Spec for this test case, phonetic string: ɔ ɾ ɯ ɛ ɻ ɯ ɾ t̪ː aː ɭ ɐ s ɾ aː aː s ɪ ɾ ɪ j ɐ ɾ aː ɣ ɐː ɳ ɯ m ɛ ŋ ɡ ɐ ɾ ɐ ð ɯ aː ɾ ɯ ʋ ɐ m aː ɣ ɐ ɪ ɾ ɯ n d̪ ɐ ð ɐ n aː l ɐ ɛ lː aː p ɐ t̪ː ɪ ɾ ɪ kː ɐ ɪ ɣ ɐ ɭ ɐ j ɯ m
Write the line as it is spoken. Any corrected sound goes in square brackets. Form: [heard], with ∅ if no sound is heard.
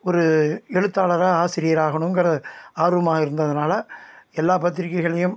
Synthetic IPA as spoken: ɔ ɾ ɯ ɛ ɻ ɯ [∅] t̪ː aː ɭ ɐ [∅] ɾ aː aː s ɪ ɾ ɪ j ɐ ɾ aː ɣ [ɐ] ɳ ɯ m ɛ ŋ ɡ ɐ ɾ ɐ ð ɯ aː ɾ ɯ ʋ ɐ m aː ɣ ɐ ɪ ɾ ɯ n d̪ ɐ ð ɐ n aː l ɐ ɛ lː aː p ɐ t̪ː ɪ ɾ ɪ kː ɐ ɪ ɣ ɐ ɭ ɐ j ɯ m